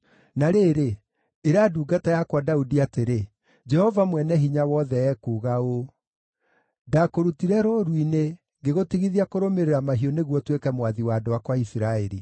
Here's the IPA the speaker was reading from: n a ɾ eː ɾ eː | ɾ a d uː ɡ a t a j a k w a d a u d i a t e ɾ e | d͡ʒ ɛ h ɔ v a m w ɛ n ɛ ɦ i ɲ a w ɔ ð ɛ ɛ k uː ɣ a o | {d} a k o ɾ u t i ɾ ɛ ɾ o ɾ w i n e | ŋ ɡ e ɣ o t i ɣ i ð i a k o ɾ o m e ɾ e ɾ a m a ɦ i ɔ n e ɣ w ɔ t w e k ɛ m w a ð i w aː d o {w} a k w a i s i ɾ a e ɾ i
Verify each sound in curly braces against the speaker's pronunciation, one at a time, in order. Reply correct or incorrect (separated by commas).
correct, correct